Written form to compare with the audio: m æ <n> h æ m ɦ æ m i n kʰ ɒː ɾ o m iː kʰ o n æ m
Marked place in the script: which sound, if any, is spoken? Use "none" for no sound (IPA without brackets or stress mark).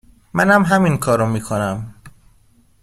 n